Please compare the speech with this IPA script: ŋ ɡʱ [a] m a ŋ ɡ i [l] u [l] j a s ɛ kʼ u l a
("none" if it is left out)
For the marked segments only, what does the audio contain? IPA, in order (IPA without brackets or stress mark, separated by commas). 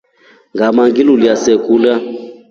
a, l, l